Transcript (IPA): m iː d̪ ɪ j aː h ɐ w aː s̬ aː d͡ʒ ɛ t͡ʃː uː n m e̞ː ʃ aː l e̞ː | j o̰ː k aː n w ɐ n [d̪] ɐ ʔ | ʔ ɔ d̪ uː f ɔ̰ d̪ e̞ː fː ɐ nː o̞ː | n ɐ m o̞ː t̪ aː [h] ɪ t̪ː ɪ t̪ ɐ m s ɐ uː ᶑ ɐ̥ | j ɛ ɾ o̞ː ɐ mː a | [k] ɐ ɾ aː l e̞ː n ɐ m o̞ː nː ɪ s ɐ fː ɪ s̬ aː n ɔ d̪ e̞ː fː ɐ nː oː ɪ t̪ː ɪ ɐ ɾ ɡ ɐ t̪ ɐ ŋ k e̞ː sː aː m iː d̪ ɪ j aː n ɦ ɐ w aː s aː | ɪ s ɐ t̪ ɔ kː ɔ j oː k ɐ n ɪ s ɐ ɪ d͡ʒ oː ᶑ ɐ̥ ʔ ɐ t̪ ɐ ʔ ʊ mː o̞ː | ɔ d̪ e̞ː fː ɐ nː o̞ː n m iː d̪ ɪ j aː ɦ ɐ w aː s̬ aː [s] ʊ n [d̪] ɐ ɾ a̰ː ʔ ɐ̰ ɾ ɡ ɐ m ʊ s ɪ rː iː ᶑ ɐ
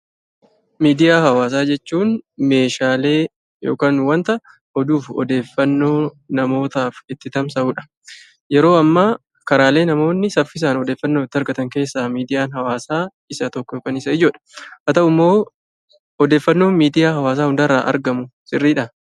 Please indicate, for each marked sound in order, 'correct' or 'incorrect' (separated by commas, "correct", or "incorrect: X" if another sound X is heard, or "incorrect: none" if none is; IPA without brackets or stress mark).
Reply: incorrect: t̪, incorrect: f, correct, incorrect: h, correct